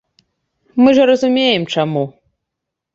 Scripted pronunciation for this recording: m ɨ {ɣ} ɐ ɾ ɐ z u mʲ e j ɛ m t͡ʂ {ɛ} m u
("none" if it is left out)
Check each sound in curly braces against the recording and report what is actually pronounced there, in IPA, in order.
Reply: ʐ, a

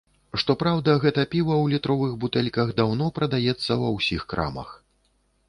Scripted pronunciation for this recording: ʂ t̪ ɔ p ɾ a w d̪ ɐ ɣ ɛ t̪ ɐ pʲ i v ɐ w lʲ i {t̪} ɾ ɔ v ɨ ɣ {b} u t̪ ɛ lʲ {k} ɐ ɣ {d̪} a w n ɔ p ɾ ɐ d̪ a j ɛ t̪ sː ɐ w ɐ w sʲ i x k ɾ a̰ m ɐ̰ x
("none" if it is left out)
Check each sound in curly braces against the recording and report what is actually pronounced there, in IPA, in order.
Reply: t̪, b, k, d̪

